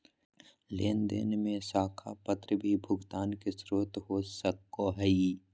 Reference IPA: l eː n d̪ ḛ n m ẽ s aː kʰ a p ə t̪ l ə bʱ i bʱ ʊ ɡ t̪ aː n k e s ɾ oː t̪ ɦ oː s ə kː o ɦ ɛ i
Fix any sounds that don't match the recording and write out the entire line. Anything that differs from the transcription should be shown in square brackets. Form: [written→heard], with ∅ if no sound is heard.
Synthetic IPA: l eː n d̪ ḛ n m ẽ s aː kʰ a p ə t̪ [l→ɾ] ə bʱ i bʱ ʊ ɡ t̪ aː n k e s ɾ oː t̪ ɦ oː s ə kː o ɦ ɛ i